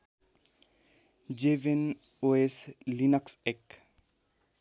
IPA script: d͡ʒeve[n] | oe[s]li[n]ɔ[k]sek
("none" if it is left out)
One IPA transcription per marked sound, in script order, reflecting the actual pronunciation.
n, s, n, k

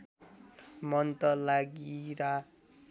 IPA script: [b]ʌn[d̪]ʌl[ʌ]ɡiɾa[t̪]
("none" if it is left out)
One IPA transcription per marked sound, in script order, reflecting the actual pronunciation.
m, t̪, a, none

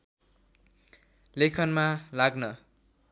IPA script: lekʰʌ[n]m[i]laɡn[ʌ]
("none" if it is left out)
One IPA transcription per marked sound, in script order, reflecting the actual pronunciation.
n, a, ʌ

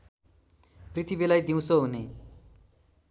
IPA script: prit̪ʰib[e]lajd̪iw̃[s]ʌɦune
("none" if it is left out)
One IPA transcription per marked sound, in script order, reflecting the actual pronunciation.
e, s

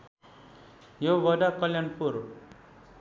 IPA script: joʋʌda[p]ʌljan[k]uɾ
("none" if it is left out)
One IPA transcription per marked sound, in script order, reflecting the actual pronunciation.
k, p

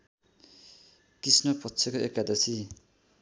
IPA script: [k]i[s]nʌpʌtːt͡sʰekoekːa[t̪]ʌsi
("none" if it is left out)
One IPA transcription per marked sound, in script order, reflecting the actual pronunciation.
k, s, d̪

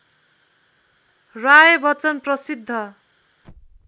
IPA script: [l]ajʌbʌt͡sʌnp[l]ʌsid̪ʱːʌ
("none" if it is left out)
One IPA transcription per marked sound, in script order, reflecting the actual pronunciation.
r, r

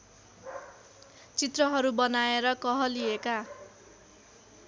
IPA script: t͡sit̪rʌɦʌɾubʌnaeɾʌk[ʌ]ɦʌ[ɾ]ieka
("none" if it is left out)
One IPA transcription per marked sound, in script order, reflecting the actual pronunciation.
ʌ, l

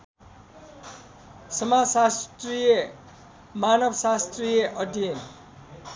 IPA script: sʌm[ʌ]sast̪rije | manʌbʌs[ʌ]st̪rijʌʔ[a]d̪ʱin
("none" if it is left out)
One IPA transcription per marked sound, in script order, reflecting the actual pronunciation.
a, a, ʌ

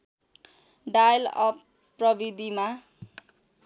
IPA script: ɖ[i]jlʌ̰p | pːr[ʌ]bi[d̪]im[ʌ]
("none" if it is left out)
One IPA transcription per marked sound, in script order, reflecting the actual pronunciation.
a, ʌ, d̪, a

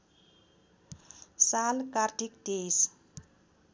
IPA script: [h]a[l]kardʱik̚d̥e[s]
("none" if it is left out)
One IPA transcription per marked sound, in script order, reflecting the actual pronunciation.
s, l, s

